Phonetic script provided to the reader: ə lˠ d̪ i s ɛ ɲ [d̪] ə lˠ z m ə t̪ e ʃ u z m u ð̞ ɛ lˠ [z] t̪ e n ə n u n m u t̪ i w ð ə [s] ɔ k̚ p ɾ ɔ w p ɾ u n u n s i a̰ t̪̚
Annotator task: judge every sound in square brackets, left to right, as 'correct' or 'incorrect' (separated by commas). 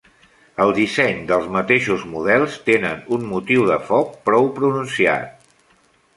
correct, incorrect, incorrect